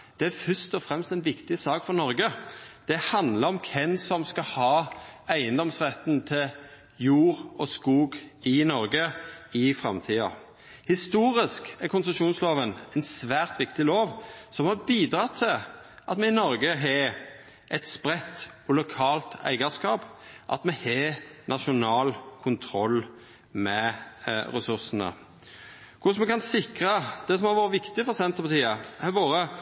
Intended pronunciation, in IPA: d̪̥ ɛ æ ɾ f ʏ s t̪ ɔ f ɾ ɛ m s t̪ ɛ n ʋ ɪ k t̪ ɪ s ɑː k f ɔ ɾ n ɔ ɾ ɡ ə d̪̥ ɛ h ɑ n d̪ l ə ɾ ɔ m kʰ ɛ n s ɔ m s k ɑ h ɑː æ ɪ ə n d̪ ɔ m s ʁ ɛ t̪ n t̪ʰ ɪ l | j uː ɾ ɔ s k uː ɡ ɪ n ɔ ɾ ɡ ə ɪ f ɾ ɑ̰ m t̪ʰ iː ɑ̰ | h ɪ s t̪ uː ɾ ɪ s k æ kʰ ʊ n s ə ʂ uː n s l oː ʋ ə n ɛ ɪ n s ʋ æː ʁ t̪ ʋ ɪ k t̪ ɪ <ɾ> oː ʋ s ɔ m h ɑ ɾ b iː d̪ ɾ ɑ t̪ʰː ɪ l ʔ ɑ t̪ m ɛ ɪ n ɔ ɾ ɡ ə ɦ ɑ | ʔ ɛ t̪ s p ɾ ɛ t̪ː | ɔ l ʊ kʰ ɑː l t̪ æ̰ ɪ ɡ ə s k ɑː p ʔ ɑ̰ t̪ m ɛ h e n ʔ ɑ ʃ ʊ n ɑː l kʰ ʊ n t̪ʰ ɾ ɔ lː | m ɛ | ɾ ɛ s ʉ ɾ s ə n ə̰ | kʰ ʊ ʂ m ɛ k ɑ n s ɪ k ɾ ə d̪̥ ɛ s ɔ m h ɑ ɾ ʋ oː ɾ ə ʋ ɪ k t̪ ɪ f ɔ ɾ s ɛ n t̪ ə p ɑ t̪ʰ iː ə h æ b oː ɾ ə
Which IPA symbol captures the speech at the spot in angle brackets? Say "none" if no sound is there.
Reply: l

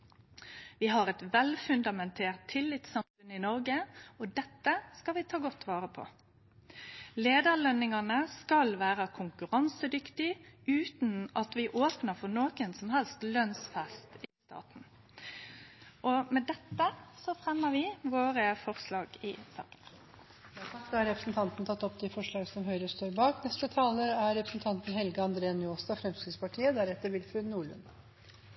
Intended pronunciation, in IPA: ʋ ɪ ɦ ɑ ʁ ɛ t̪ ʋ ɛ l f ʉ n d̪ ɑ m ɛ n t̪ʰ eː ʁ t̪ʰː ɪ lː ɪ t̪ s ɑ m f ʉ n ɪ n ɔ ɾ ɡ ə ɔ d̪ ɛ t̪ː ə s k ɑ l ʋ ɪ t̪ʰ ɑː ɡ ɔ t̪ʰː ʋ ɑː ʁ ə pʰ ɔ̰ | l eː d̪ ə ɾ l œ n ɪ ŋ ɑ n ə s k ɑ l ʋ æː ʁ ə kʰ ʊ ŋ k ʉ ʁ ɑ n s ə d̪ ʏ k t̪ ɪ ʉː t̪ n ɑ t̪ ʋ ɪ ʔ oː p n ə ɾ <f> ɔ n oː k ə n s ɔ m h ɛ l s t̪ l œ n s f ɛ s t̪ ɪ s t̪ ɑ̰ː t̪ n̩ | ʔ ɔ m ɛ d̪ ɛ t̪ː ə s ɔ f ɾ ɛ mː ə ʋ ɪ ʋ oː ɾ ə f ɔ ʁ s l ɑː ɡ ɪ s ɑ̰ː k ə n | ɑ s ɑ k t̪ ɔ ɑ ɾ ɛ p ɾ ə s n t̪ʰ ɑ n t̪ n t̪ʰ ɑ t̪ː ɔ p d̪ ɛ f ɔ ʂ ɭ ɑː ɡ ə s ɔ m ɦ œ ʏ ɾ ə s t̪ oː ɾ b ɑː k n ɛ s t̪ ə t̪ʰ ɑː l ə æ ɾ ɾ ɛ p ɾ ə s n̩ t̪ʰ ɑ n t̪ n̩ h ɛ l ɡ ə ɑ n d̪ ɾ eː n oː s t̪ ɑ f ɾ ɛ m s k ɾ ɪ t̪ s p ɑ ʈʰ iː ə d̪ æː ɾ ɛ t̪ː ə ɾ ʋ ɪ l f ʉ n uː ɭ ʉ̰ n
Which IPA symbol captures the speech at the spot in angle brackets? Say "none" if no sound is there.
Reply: f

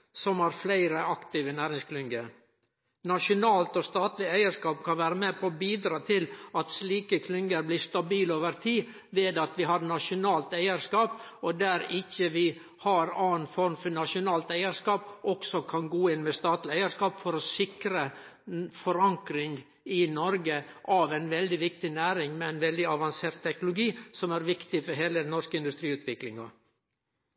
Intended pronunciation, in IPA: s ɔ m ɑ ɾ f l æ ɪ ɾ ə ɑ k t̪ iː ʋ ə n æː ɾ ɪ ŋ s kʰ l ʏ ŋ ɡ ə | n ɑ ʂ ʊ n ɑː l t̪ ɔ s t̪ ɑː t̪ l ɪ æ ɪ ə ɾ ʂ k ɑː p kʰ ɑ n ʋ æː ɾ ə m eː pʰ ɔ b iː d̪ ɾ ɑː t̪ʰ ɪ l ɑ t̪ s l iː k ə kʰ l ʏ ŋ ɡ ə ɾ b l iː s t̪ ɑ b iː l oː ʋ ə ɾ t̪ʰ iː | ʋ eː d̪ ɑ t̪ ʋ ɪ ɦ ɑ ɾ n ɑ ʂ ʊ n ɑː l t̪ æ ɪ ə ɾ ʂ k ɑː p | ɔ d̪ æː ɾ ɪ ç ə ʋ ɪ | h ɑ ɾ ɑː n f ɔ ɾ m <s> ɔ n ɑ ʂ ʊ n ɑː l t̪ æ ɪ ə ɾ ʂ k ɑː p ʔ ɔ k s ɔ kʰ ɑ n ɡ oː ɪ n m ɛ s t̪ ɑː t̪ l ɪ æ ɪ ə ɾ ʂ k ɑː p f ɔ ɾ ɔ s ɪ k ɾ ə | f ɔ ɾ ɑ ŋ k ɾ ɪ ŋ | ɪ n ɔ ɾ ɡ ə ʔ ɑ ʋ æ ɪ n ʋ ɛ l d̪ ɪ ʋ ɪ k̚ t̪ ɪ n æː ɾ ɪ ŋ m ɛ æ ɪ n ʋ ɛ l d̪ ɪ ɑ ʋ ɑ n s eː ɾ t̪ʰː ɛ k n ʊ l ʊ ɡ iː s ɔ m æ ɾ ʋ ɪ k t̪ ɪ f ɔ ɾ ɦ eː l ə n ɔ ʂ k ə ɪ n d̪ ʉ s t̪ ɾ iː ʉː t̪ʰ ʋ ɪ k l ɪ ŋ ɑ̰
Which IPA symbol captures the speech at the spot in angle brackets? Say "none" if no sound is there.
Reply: f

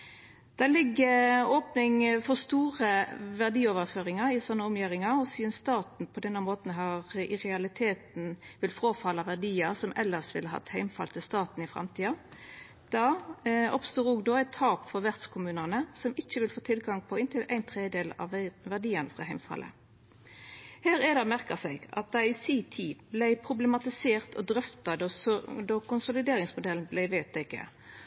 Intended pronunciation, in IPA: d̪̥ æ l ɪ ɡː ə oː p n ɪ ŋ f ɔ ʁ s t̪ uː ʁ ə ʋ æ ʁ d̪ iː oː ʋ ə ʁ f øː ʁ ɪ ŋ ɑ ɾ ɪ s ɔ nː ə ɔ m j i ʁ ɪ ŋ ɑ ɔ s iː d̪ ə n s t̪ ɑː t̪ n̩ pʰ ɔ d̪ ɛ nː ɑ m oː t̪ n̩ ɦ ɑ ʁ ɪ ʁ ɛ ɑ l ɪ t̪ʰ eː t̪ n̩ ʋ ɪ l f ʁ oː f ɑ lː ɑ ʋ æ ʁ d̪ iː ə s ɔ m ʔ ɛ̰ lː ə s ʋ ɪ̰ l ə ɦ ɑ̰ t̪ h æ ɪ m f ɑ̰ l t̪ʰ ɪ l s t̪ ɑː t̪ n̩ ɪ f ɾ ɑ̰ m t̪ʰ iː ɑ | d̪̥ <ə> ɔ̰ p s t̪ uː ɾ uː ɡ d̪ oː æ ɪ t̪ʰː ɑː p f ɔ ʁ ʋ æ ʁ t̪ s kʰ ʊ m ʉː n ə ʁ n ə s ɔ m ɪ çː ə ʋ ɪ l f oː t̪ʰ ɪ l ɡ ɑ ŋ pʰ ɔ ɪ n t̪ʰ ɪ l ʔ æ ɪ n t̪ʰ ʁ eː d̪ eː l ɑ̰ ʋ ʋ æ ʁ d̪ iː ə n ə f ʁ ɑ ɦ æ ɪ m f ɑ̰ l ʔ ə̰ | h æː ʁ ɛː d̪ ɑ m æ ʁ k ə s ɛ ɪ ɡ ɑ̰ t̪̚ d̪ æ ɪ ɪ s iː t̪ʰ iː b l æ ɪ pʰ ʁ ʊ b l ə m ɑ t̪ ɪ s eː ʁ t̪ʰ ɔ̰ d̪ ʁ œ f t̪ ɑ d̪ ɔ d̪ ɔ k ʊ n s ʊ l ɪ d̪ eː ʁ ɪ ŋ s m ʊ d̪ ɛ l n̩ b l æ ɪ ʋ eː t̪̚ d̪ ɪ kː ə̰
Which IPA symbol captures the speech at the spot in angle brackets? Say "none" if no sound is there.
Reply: ɑ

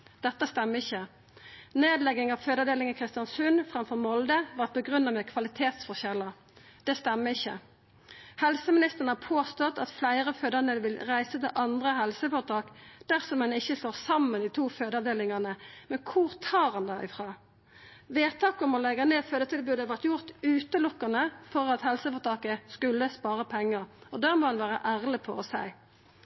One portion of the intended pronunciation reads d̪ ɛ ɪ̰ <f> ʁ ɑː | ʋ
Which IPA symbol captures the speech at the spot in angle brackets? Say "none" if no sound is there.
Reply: f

